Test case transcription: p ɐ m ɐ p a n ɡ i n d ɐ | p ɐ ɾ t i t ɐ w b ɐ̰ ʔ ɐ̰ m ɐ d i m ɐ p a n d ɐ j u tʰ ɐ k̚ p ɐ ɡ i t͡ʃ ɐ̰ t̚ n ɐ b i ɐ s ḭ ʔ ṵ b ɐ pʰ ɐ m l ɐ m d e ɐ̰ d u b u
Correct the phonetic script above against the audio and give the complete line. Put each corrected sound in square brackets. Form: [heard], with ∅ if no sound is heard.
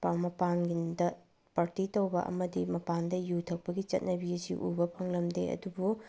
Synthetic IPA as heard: p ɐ m ɐ p a n ɡ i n d ɐ | p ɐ ɾ t i t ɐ w b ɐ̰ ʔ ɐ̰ m ɐ d i m ɐ p a n d ɐ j u tʰ ɐ k̚ p ɐ ɡ i t͡ʃ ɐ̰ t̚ n ɐ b i ɐ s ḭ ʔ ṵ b ɐ pʰ ɐ [ŋ] l ɐ m d e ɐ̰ d u b u